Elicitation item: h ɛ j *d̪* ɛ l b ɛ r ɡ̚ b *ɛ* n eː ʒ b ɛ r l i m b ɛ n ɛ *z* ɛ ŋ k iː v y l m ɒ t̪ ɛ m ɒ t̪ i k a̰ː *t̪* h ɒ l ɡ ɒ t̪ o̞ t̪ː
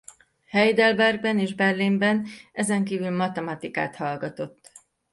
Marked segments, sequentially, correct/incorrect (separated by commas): correct, correct, correct, correct